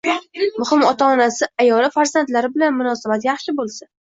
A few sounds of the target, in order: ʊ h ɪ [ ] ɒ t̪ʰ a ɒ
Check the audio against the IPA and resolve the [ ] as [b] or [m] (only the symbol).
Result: m